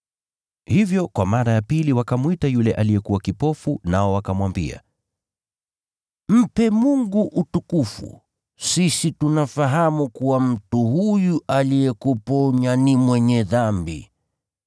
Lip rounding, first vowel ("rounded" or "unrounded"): unrounded